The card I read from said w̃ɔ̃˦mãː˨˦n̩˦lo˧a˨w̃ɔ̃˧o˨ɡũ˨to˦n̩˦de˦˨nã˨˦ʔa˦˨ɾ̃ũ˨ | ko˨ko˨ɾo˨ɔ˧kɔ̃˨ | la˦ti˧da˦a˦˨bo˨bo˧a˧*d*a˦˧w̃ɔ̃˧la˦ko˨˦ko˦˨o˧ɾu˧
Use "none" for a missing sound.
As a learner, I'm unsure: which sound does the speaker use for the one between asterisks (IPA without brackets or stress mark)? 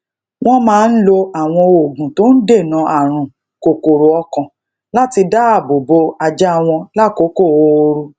d͡ʒ